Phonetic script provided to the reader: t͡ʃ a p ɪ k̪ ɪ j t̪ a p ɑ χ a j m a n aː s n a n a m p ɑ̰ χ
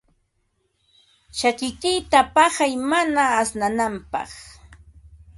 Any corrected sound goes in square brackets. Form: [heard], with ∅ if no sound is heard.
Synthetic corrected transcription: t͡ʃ a [k] ɪ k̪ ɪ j t̪ a p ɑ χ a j m a n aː s n a n a m p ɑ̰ χ

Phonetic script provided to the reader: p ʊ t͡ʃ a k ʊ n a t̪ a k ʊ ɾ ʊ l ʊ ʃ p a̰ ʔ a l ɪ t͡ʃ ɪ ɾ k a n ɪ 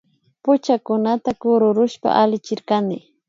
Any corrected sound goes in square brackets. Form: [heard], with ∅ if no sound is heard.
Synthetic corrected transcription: p ʊ t͡ʃ a k ʊ n a t̪ a k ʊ ɾ ʊ [ɾ] ʊ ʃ p a̰ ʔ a l ɪ t͡ʃ ɪ ɾ k a n ɪ

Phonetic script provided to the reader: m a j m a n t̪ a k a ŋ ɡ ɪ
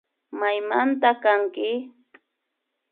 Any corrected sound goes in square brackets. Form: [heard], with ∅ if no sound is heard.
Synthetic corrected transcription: m a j m a n t̪ a k a ŋ [k] ɪ

